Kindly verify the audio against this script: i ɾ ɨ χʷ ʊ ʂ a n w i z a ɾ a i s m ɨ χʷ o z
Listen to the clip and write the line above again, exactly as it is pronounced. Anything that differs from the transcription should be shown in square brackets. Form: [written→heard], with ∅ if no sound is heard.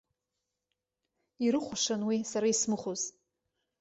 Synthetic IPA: i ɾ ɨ χʷ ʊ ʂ a n w i [z→s] a ɾ a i s m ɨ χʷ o z